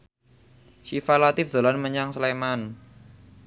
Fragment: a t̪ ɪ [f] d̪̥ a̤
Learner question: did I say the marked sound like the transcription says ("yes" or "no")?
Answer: yes